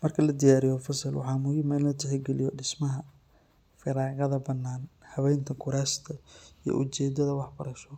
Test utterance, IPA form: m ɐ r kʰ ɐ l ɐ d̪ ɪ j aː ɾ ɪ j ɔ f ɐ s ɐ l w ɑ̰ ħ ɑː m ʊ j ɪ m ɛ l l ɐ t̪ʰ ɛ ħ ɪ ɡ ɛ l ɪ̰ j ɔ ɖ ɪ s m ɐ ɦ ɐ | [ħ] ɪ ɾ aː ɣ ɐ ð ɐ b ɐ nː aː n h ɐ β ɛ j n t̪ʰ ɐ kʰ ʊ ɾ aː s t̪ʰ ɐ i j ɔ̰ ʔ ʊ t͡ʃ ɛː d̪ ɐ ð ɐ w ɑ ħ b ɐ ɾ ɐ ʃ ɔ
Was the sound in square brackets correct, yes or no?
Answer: no